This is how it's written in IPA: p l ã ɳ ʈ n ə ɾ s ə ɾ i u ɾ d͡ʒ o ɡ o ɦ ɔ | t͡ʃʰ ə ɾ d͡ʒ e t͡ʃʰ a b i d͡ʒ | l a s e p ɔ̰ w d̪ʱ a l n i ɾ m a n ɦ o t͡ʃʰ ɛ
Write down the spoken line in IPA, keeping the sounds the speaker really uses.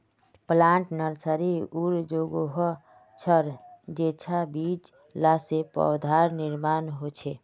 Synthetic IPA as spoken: p l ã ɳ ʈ n ə ɾ s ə ɾ i u ɾ d͡ʒ o ɡ o ɦ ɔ | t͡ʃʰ ə ɾ d͡ʒ e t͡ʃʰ a b i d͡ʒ | l a s e p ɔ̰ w d̪ʱ a ɾ n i ɾ m a n ɦ o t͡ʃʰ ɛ